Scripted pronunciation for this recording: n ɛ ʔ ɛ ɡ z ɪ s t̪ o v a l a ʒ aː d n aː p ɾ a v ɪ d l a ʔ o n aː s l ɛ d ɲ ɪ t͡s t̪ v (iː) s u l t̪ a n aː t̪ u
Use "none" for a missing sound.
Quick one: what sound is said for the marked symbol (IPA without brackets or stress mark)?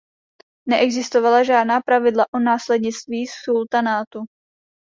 iː